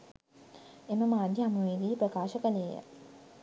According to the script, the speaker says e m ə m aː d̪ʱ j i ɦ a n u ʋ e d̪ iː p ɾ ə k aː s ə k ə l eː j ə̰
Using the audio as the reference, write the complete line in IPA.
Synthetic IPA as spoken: e m ə m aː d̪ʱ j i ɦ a m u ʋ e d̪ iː p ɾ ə k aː ʃ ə k ə l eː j ə̰